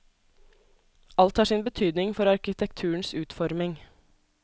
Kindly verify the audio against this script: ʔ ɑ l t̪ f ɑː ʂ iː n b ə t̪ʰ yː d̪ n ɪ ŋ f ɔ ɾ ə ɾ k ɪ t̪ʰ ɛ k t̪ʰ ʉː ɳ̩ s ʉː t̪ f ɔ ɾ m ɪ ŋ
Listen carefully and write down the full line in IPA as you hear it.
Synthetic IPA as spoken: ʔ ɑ l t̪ h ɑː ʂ iː n b ə t̪ʰ yː d̪ n ɪ ŋ f ɔ ɾ ɑ ɾ k ɪ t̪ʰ ɛ k t̪ʰ ʉː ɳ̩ s ʉː t̪ f ɔ ɾ m ɪ ŋ